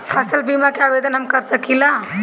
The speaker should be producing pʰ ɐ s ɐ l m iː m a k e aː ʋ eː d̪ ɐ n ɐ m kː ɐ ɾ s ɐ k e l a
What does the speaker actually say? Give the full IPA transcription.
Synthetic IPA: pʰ ɐ s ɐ l b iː m a k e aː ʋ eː d̪ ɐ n ɐ m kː ɐ ɾ s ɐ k i l a